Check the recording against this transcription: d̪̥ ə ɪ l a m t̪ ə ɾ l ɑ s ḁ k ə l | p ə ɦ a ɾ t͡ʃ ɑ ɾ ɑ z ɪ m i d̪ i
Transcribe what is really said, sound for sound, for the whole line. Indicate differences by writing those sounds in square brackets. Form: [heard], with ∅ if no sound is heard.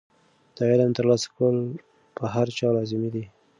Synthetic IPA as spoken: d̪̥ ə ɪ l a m t̪ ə ɾ l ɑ s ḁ k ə l | p ə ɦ a ɾ t͡ʃ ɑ [l] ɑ z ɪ m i d̪ i